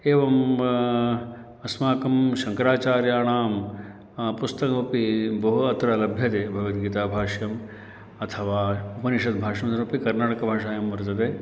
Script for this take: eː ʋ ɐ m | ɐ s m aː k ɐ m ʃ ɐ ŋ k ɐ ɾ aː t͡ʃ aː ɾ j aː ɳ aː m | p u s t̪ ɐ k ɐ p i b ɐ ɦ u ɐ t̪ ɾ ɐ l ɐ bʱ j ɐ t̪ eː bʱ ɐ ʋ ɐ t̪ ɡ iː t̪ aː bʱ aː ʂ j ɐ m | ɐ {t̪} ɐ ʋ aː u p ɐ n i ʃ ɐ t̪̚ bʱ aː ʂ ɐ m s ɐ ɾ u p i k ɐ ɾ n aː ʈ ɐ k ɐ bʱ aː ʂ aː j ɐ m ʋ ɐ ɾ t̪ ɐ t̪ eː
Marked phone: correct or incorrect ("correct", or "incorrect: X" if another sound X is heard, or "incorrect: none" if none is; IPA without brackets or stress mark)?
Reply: incorrect: t̪ʰ